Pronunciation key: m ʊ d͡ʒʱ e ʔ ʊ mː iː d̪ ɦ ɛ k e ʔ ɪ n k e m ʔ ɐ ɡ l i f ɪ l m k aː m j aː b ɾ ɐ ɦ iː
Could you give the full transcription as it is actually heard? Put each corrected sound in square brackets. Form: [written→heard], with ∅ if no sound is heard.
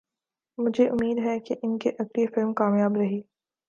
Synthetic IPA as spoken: m ʊ d͡ʒʱ e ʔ ʊ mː iː d̪ ɦ ɛ k e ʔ ɪ n k e [m→∅] ʔ ɐ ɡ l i f ɪ l m k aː m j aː b ɾ ɐ ɦ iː